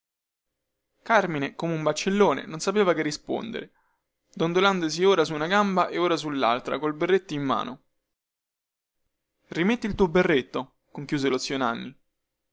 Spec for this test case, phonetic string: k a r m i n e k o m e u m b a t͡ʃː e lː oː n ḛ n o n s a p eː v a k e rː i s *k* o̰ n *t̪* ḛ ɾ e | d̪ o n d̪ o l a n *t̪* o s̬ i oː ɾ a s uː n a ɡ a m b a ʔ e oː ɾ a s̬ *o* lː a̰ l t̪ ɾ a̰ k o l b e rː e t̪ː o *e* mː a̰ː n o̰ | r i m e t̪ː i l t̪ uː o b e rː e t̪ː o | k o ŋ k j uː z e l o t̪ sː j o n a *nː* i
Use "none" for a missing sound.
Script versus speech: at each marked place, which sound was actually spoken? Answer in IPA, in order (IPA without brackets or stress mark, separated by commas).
p, d̪, d̪, u, i, nː